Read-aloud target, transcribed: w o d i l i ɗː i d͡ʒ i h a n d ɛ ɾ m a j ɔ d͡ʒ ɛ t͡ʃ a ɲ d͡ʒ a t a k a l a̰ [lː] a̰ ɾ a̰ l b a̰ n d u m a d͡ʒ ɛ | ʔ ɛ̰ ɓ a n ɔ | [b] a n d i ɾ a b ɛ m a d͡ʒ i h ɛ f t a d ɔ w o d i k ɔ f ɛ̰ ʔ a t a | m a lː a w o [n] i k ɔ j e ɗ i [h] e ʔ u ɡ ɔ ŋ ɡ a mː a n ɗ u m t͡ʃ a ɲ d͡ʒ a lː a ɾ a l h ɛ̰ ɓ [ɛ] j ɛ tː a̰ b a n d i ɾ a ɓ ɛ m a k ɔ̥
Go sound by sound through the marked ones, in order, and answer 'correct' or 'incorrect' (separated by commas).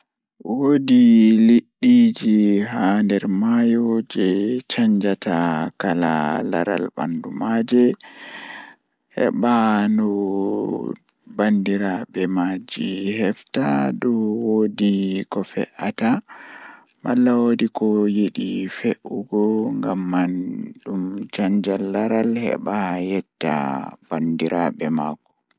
incorrect, correct, incorrect, incorrect, incorrect